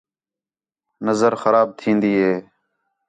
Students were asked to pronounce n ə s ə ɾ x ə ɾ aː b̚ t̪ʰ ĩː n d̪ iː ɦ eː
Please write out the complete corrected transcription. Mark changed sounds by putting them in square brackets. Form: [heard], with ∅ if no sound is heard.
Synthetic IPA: n ə [z] ə ɾ x ə ɾ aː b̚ t̪ʰ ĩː n d̪ iː ɦ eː